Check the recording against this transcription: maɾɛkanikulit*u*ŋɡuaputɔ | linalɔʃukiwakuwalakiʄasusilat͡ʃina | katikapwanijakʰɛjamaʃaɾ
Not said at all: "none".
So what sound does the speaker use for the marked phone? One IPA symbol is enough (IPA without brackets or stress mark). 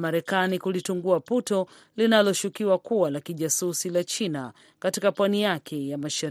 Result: u